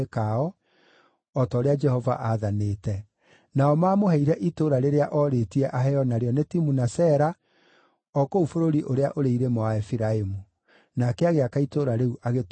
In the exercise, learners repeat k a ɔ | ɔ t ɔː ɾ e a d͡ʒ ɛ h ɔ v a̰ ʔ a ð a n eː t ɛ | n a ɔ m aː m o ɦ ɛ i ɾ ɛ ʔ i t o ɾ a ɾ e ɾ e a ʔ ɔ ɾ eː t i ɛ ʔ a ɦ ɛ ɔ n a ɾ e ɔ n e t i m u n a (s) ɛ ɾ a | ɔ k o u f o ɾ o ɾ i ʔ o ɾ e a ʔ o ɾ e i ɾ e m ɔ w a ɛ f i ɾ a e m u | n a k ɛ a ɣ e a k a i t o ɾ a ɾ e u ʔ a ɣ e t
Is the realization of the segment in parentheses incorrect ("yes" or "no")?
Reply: no